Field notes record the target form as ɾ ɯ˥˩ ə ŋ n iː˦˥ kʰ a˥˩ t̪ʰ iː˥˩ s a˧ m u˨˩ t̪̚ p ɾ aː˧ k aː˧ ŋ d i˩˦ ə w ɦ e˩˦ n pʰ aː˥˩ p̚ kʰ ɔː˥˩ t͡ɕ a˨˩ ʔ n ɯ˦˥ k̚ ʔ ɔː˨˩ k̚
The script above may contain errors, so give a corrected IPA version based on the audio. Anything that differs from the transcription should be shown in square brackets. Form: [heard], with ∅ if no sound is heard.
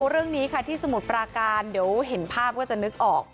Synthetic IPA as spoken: ɾ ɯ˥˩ ə ŋ n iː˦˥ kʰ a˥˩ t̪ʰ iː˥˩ s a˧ m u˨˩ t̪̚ p ɾ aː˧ k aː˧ [n] d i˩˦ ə w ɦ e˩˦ n pʰ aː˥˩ p̚ [k] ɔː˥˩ t͡ɕ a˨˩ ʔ n ɯ˦˥ k̚ ʔ ɔː˨˩ k̚